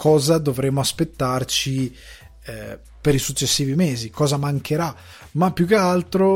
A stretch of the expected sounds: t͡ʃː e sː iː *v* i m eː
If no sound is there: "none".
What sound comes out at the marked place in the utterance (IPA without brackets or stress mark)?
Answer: v